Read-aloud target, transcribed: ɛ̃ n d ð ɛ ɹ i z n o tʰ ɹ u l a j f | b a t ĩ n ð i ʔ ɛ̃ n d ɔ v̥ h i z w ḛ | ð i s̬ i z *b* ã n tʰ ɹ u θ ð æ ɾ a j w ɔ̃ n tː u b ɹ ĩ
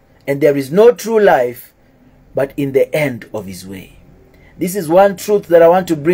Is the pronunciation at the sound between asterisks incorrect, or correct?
incorrect